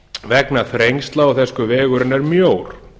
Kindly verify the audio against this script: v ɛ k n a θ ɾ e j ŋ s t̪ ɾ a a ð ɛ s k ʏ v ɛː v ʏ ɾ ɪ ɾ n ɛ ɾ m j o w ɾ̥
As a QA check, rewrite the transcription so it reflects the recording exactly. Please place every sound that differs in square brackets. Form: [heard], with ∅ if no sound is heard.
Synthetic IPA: v ɛ k n a θ ɾ e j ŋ s t̪ [l] a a [θ] ɛ s k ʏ v ɛː [ɣ] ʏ ɾ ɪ [∅] n ɛ ɾ m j o w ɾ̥